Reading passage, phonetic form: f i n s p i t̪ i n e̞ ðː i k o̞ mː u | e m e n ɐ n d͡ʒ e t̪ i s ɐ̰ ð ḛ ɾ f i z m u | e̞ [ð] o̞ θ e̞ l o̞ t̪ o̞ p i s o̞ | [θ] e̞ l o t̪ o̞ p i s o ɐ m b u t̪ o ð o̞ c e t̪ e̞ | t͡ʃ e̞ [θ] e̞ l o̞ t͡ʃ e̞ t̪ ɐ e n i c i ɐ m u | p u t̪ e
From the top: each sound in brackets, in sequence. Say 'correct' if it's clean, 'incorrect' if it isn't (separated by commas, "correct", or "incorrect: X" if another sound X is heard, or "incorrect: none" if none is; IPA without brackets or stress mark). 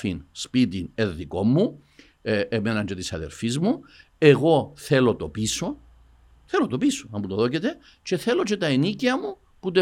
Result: incorrect: ɣ, correct, correct